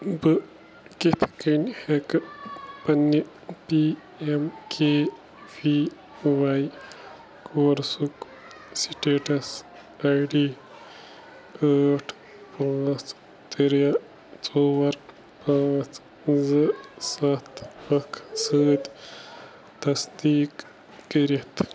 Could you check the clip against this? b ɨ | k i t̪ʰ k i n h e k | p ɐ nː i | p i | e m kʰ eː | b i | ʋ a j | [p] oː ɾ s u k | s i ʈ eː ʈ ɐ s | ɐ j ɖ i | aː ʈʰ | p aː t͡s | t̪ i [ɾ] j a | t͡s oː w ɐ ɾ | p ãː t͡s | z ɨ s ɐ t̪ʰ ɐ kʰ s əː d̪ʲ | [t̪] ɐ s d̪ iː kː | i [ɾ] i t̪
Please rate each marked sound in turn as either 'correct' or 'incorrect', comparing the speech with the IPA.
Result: incorrect, correct, correct, correct

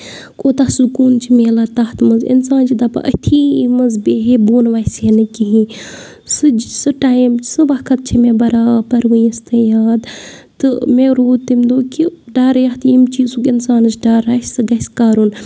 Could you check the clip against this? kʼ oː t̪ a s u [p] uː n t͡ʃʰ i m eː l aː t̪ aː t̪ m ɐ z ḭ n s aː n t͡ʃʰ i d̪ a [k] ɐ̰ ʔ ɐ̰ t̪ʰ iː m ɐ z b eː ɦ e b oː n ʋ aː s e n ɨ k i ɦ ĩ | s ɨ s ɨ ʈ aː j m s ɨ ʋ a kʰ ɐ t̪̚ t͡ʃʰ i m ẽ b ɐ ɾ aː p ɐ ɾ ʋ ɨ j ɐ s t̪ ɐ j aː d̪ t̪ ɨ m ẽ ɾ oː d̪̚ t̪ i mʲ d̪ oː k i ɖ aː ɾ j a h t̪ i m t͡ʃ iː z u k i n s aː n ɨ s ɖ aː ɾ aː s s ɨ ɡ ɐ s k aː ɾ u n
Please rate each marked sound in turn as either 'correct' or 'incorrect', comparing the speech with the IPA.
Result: incorrect, incorrect

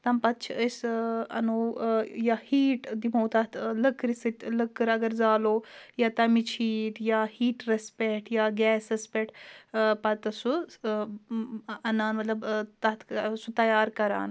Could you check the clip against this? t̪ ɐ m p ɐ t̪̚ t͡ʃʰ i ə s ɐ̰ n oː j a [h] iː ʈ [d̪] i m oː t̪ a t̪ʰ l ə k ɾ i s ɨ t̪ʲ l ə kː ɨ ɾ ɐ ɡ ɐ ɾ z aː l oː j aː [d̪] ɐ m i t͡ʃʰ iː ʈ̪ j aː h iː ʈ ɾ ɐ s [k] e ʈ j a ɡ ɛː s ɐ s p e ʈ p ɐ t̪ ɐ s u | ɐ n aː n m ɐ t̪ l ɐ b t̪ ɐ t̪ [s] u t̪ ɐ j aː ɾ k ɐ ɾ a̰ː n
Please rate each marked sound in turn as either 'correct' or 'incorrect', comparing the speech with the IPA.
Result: correct, correct, incorrect, incorrect, correct

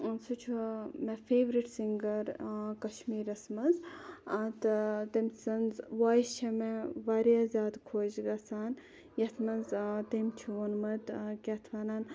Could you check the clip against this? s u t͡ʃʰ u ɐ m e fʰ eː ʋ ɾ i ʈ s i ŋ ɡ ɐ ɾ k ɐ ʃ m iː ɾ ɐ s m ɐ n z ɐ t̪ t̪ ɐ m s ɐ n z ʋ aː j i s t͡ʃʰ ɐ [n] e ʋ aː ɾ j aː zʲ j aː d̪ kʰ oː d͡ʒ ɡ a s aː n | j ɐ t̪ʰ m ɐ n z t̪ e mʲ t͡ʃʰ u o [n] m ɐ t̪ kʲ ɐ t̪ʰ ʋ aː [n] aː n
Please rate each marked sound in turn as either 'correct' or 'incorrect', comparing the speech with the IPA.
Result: incorrect, correct, correct

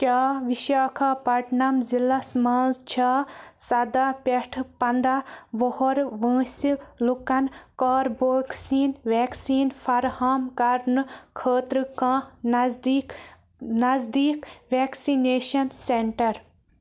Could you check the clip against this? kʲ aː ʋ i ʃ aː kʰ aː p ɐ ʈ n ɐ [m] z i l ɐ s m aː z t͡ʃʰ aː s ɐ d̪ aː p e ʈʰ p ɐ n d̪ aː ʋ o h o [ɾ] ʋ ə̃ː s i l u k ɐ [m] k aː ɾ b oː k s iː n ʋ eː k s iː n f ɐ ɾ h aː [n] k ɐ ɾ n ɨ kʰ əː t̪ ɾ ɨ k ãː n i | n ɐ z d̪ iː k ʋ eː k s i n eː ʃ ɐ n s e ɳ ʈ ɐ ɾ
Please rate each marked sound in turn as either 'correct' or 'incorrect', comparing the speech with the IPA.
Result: correct, correct, incorrect, incorrect

